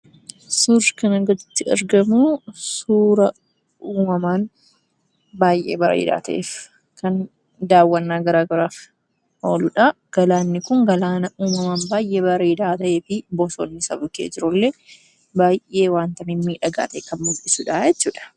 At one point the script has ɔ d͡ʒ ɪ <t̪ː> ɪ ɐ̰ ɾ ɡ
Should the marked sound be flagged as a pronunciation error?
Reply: no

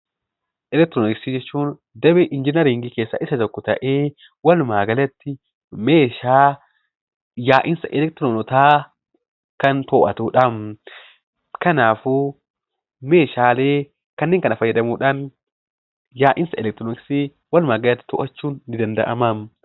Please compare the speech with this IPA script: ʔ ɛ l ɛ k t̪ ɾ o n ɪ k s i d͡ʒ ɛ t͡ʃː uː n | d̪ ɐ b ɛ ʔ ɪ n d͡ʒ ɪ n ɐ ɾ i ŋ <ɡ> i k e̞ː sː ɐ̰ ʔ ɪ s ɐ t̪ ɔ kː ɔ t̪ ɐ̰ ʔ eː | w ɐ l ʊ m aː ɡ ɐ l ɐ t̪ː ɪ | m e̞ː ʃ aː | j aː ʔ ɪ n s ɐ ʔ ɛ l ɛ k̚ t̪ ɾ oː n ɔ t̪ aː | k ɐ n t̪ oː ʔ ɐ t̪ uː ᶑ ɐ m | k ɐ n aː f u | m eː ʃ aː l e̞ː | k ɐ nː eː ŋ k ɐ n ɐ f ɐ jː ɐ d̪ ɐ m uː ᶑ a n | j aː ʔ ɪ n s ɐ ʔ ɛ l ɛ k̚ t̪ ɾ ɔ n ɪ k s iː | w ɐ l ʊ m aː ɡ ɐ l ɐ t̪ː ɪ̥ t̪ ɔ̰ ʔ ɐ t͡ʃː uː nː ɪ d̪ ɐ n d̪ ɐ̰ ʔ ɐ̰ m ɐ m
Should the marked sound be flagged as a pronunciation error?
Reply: no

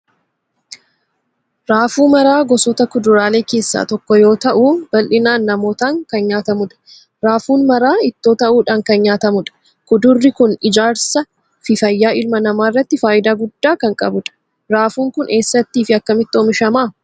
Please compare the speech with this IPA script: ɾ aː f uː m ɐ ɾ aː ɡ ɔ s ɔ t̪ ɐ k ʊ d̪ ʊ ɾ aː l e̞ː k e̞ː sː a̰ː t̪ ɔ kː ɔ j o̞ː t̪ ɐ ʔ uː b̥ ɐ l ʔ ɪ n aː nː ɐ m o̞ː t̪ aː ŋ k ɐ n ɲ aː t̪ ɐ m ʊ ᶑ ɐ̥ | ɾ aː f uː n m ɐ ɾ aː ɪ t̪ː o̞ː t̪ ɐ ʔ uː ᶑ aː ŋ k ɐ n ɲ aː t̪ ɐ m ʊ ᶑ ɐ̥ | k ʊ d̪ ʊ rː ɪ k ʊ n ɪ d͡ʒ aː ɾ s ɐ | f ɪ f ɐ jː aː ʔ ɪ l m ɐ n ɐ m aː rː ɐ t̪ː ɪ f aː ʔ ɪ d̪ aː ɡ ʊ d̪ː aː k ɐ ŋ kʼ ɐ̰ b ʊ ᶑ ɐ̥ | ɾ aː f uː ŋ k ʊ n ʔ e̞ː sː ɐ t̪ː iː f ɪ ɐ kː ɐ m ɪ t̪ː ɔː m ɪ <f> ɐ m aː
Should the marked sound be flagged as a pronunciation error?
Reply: yes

